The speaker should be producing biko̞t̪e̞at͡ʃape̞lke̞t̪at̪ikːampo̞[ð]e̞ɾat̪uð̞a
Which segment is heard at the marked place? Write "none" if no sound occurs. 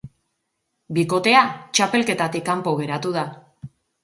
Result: ɣ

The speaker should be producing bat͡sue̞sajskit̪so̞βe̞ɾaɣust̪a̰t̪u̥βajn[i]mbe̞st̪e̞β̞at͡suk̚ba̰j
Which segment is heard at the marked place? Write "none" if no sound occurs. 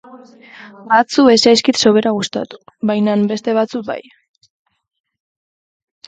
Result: a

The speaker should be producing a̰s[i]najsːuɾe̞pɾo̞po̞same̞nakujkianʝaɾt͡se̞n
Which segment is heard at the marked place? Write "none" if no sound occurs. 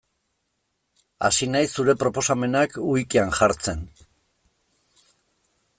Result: i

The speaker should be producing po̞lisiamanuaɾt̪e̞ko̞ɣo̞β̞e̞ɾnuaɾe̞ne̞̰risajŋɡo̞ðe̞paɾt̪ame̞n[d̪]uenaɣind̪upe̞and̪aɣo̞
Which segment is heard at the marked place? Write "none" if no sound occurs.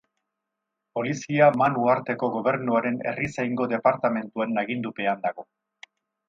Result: t̪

